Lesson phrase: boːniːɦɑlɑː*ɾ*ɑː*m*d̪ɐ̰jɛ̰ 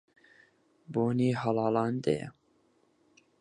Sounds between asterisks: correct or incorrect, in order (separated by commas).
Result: incorrect, incorrect